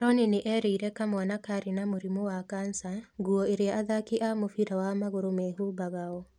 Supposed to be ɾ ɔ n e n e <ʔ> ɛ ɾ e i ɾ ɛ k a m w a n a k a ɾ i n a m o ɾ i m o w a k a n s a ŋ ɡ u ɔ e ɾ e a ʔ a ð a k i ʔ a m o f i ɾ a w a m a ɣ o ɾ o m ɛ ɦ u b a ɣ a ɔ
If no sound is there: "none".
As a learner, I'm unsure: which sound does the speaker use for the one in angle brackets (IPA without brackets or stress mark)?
ʔ